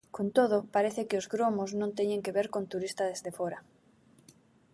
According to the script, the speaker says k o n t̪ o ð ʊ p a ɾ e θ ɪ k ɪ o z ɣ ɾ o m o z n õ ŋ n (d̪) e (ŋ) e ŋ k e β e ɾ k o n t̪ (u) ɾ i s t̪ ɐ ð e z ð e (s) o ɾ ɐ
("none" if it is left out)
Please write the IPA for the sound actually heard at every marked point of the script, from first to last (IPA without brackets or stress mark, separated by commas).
t̪, ɲ, u, f